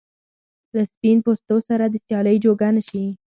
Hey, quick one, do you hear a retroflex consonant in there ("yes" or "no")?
no